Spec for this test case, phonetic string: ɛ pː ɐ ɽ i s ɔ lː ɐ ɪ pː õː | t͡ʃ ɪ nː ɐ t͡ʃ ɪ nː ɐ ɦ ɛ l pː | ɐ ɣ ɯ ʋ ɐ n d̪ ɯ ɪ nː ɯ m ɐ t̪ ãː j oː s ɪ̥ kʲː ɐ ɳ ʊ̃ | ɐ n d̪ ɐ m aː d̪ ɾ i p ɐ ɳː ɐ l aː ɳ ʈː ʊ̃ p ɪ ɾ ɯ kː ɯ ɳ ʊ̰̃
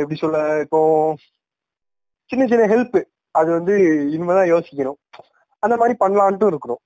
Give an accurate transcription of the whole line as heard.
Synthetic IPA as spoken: ɛ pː ɐ ɽ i s ɔ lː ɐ ɪ pː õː | t͡ʃ ɪ nː ɐ t͡ʃ ɪ nː ɐ ɦ ɛ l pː | ɐ ð ɯ ʋ ɐ n d̪ ɯ ɪ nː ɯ m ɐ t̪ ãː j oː s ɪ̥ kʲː ɐ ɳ ʊ̃ | ɐ n d̪ ɐ m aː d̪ ɾ i p ɐ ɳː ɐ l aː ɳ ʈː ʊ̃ ɪ ɾ ɯ kː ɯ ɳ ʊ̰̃